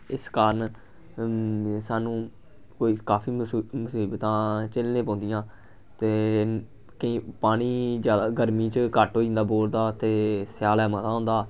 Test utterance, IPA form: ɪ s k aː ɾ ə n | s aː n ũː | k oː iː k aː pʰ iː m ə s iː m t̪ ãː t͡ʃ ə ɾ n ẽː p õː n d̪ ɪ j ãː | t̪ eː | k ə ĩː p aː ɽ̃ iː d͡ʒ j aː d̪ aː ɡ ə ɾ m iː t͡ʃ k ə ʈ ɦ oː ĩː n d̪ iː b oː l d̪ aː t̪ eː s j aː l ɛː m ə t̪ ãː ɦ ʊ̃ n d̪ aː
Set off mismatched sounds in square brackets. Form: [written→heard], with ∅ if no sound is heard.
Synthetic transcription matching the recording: ɪ s k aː ɾ ə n | s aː n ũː | k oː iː k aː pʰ iː m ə s iː [m→b] t̪ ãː t͡ʃ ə [ɾ→l] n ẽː p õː n d̪ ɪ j ãː | t̪ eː | k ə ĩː p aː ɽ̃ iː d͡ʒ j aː d̪ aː ɡ ə ɾ m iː t͡ʃ k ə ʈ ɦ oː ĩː n d̪ [iː→aː] b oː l d̪ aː t̪ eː s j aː l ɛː m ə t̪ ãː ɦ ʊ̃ n d̪ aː